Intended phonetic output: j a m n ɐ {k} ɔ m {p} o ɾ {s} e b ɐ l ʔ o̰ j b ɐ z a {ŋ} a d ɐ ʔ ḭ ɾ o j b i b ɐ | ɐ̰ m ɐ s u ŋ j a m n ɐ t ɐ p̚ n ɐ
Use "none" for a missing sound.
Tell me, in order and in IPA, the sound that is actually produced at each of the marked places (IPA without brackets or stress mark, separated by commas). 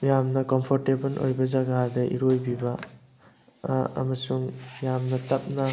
k, pʰ, t, ɡ